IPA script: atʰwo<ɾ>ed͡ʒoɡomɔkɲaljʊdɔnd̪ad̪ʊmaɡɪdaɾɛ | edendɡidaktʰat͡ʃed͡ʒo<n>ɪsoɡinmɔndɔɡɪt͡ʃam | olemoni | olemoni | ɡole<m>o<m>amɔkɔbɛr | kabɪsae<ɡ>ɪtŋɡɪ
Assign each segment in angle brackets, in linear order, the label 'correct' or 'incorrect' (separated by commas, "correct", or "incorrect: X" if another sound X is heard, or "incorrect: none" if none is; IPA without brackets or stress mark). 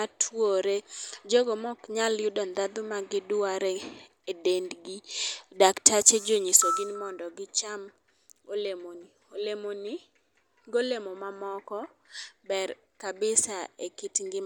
correct, incorrect: ɲ, correct, correct, incorrect: k